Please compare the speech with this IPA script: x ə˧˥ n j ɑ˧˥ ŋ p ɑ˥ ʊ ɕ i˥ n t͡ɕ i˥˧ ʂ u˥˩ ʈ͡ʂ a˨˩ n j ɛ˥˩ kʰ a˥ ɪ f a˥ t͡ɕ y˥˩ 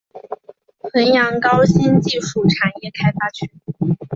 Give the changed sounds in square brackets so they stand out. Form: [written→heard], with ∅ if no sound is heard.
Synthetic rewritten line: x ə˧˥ n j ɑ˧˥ ŋ [p→k] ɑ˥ ʊ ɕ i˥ n t͡ɕ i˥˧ ʂ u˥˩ [ʈ͡ʂ→ʈ͡ʂʰ] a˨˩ n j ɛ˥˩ kʰ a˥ ɪ f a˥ [t͡ɕ→t͡ɕʰ] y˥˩